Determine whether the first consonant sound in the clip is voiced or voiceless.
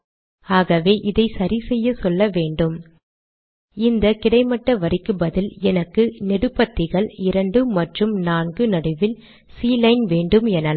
voiced